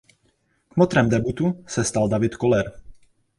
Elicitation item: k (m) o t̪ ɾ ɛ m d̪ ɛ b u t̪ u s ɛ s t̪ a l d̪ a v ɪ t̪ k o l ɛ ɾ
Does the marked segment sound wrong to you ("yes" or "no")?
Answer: no